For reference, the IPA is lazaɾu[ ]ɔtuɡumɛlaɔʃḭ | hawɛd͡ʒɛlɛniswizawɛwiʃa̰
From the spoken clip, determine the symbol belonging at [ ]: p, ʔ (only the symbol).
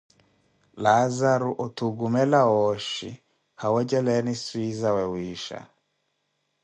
ʔ